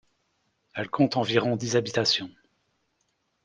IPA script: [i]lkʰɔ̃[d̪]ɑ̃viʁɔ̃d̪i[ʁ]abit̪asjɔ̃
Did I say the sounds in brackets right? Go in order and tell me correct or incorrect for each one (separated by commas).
incorrect, incorrect, incorrect